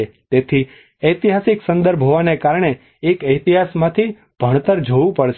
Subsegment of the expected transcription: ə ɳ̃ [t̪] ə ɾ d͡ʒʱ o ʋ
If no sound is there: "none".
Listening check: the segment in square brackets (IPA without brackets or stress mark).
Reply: t̪